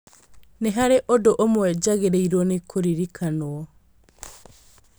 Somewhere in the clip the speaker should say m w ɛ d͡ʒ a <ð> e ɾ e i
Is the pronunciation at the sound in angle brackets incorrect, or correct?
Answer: incorrect